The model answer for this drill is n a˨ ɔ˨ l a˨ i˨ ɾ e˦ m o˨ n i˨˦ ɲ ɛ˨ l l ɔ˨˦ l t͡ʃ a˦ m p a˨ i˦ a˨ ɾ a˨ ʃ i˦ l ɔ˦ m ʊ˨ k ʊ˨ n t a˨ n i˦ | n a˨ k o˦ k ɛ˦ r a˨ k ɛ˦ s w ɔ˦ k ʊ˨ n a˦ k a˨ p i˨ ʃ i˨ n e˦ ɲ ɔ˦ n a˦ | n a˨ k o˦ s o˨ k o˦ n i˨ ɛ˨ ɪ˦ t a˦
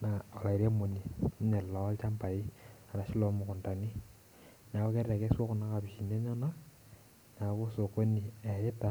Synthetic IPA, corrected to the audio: n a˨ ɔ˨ l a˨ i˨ ɾ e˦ m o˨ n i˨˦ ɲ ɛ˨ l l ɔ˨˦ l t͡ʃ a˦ m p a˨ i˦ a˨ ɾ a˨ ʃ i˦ l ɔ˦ m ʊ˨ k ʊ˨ n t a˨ n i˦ | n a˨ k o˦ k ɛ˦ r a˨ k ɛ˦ s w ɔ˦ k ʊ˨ n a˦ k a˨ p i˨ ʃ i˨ n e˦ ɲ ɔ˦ n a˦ | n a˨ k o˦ s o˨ k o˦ n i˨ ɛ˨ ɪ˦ t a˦